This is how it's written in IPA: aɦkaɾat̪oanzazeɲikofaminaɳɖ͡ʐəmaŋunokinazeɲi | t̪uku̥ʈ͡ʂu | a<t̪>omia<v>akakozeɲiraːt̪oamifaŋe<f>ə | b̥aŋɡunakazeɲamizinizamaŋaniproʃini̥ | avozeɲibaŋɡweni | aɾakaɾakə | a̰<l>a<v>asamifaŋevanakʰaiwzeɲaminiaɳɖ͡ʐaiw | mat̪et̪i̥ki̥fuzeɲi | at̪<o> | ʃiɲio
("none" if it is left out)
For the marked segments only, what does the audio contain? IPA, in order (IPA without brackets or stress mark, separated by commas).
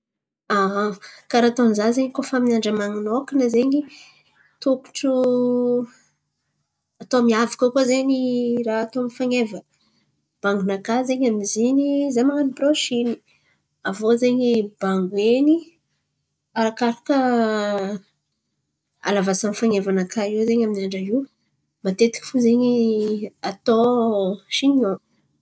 t̪, v, v, l, v, o